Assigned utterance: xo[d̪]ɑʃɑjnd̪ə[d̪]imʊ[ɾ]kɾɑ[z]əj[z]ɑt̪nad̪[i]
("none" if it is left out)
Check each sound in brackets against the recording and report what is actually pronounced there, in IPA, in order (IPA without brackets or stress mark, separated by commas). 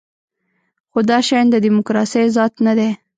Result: d̪, d̪, none, s, z, e